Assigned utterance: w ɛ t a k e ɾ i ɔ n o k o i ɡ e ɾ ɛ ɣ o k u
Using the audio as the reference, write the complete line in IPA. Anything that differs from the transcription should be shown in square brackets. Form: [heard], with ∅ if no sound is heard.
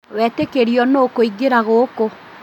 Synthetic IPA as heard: w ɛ t [e] k e ɾ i ɔ n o k o i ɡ e ɾ [a] ɣ o k [o]